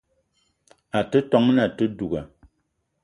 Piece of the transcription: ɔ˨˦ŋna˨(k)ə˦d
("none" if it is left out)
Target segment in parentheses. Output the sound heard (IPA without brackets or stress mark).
t